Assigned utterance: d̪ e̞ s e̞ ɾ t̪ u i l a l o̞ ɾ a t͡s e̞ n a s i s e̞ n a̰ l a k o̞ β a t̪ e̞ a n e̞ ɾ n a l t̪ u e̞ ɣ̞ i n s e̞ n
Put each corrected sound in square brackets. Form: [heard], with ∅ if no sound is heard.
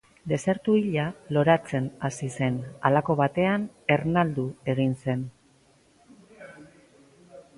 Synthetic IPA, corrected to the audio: d̪ e̞ s e̞ ɾ t̪ u i [ʎ] a l o̞ ɾ a t͡s e̞ n a s i s e̞ n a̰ l a k o̞ β a t̪ e̞ a n e̞ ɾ n a l [d̪] u e̞ ɣ̞ i n s e̞ n